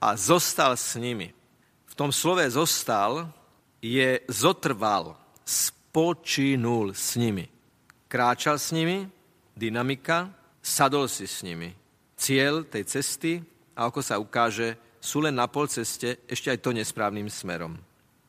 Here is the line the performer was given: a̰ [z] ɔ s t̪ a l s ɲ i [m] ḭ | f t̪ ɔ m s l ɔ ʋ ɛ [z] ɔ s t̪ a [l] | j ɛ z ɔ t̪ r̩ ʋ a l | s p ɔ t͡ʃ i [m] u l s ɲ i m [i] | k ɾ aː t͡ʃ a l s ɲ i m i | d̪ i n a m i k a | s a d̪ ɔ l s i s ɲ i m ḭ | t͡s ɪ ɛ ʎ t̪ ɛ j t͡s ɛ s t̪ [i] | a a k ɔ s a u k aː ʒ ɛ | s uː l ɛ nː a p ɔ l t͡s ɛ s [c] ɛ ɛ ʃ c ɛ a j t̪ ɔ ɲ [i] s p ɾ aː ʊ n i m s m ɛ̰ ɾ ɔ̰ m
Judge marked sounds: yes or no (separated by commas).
yes, yes, yes, yes, no, yes, yes, yes, no